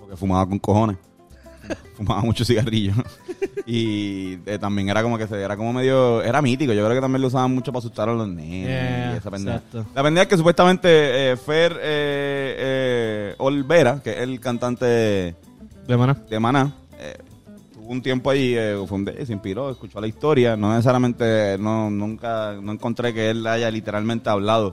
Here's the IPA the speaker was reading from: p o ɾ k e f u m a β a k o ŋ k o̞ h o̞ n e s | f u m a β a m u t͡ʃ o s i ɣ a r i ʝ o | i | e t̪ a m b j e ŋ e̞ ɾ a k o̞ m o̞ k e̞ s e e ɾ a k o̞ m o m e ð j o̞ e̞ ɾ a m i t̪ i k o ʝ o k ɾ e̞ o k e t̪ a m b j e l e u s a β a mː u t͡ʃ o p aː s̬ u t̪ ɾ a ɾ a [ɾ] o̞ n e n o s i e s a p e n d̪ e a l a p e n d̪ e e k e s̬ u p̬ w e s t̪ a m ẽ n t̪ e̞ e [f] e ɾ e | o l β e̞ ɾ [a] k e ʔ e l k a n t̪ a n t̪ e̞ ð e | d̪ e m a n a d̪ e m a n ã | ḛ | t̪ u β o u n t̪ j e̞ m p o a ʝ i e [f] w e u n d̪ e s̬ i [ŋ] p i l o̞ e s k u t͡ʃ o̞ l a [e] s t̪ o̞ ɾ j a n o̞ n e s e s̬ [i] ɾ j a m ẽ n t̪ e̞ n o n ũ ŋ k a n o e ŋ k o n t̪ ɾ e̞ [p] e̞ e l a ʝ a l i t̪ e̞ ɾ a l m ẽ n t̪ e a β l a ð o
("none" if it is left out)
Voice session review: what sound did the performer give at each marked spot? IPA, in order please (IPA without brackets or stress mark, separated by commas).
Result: l, f, a, f, m, i, a, k